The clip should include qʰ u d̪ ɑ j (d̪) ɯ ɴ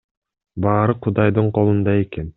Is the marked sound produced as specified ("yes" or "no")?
yes